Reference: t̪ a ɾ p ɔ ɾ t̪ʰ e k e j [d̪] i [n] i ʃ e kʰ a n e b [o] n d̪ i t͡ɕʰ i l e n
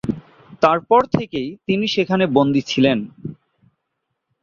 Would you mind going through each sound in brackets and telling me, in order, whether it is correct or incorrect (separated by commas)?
incorrect, correct, correct